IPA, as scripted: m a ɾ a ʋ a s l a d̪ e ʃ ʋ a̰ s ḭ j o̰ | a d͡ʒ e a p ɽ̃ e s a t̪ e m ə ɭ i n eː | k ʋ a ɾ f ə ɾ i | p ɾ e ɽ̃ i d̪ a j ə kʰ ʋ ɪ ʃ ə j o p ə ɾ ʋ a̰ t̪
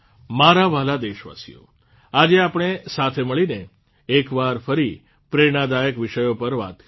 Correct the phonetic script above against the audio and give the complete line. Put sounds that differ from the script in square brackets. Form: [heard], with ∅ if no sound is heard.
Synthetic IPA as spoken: m a ɾ a ʋ a [∅] l a d̪ e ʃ ʋ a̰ s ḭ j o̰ | a d͡ʒ e a p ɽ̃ e s a [t̪ʰ] e m ə ɭ i n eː | k ʋ a ɾ f ə ɾ i | p ɾ e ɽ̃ [a] d̪ a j ə [k] ʋ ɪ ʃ ə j o p ə ɾ ʋ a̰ t̪